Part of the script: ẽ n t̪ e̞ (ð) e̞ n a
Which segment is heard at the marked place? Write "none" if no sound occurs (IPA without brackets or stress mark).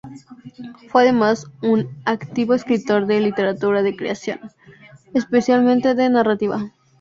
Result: ð